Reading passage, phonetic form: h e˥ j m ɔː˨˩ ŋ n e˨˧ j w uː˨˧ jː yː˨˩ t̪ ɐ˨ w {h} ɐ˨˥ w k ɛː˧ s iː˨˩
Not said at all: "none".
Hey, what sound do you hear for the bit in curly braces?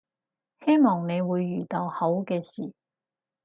h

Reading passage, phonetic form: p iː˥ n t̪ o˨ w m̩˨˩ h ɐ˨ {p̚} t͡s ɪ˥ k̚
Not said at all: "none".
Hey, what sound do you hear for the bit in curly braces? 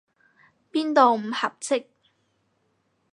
p̚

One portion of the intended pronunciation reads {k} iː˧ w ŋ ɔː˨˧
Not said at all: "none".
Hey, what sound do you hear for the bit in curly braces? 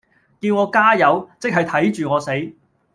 k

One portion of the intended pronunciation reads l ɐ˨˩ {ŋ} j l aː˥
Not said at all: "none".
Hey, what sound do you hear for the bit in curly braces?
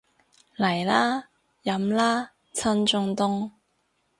none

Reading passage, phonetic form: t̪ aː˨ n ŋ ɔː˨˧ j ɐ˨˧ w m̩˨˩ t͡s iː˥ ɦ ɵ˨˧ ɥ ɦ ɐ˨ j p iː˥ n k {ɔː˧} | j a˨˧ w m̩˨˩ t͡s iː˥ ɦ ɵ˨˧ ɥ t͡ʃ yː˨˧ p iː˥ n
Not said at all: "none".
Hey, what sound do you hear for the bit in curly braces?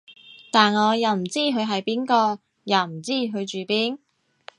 ɔː˧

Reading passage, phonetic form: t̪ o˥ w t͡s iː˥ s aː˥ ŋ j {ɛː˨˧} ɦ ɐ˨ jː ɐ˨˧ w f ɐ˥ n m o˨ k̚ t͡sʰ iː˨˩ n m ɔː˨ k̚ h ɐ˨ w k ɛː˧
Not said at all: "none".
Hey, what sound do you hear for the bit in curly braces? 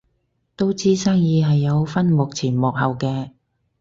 iː˨˧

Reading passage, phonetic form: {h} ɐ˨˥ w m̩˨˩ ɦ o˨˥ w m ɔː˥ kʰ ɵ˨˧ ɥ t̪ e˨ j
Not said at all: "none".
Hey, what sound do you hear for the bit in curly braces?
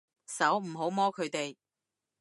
s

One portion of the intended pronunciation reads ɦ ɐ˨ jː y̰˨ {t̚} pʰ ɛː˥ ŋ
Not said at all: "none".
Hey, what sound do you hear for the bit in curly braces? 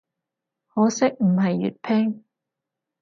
t̚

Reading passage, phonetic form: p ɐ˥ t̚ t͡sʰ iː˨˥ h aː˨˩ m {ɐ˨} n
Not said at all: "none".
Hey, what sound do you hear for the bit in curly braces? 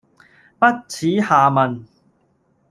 ɐ˨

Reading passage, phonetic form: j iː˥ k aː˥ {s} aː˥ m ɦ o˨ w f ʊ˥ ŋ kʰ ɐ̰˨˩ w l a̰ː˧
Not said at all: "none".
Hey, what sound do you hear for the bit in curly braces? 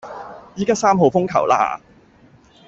s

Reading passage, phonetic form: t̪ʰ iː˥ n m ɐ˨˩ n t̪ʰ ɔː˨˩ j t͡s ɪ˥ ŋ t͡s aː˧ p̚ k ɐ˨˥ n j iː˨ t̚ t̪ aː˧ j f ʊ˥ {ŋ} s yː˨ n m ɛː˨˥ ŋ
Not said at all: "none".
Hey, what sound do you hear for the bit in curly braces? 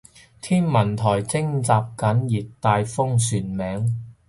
ŋ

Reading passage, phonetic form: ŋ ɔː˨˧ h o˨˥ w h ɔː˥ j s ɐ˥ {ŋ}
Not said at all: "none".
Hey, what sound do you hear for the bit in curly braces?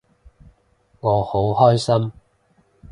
m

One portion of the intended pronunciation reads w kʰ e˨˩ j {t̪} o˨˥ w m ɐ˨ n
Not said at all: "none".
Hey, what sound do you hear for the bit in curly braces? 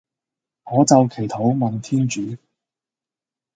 t̪ʰ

